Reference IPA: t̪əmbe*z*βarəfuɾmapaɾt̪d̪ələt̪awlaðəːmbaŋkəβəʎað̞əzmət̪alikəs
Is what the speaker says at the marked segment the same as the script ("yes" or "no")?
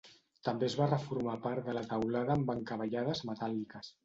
yes